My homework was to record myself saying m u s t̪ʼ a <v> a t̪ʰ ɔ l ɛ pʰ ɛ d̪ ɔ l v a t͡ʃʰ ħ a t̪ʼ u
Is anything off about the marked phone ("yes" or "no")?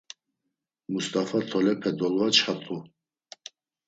yes